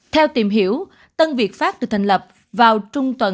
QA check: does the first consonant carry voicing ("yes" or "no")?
no